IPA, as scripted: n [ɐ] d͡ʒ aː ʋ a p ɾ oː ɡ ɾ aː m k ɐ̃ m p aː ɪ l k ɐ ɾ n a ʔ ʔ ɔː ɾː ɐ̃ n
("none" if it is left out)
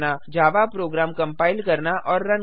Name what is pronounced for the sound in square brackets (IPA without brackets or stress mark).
a